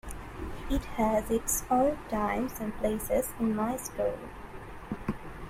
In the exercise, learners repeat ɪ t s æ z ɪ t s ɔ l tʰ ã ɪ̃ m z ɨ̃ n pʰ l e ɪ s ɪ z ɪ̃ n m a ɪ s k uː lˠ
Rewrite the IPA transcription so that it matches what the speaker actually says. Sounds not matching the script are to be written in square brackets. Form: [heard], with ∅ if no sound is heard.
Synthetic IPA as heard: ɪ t [h] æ z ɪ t s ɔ l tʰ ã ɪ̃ m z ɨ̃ n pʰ l e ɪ s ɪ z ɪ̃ n m a ɪ s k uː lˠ